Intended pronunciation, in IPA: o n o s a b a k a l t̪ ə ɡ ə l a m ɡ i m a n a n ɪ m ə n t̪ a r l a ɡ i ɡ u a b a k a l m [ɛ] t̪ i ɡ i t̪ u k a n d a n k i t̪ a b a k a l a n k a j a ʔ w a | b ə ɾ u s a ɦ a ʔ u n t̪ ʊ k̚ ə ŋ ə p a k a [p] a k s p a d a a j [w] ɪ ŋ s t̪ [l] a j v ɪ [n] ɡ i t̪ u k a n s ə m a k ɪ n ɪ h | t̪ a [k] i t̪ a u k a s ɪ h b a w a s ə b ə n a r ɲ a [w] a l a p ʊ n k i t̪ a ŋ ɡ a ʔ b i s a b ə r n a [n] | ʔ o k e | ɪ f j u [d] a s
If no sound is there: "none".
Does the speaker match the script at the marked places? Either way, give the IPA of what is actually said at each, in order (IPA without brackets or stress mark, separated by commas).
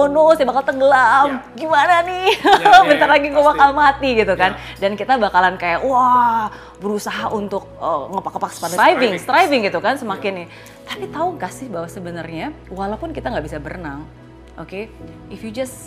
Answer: a, p, v, ɾ, ŋ, p, w, ŋ, d͡ʒ